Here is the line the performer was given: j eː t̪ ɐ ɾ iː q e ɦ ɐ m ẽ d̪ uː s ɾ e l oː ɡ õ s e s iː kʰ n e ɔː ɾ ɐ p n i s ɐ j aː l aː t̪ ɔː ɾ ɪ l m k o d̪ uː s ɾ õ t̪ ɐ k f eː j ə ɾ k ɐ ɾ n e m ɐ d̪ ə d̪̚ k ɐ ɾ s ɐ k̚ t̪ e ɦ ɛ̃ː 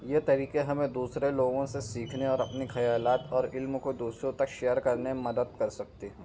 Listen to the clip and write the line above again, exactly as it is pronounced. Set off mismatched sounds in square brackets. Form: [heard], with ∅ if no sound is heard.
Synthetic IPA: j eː t̪ ɐ ɾ iː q e ɦ ɐ m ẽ d̪ uː s ɾ e l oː ɡ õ s e s iː kʰ n e ɔː ɾ ɐ p n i [x] ɐ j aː l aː t̪ ɔː ɾ ɪ l m k o d̪ uː s ɾ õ t̪ ɐ k [ʃ] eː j ə ɾ k ɐ ɾ n e m ɐ d̪ ə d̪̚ k ɐ ɾ s ɐ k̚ t̪ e ɦ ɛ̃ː